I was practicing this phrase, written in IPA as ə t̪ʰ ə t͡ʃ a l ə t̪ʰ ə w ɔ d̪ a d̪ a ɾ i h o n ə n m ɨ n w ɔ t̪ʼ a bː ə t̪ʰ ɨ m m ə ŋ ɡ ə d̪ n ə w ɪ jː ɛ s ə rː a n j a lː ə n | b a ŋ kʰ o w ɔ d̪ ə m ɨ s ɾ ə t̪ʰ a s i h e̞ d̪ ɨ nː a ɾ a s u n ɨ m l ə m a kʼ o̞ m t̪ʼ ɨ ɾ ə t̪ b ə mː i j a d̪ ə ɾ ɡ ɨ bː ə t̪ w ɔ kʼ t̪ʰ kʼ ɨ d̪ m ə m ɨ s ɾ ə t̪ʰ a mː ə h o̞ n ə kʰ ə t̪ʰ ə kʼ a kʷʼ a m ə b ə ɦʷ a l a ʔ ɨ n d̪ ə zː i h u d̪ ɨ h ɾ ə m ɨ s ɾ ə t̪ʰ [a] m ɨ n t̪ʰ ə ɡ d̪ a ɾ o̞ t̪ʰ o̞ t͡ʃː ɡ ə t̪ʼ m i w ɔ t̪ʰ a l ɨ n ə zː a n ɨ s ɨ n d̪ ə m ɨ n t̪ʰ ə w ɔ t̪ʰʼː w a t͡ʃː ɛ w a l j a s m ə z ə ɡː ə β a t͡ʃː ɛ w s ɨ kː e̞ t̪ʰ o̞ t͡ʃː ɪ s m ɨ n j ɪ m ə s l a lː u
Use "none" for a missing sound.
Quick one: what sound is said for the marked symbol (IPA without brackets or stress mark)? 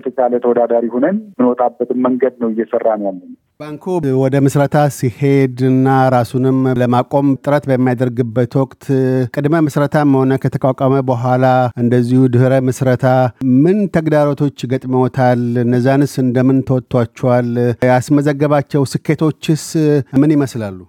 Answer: a